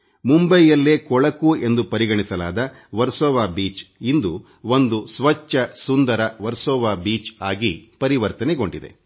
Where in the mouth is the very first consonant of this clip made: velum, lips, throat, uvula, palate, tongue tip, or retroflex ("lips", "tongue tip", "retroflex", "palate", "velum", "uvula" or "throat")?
lips